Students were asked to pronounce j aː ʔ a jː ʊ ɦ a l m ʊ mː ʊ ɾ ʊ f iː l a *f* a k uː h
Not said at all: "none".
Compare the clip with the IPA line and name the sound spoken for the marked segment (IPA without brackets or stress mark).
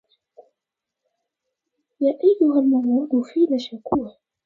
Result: ʃ